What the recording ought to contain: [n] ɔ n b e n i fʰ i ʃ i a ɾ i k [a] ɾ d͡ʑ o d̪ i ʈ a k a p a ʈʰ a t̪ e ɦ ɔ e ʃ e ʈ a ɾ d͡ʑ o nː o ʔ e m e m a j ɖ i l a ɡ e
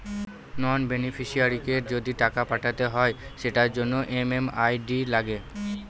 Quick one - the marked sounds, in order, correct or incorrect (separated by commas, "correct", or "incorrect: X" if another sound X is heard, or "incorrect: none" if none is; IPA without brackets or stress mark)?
correct, incorrect: e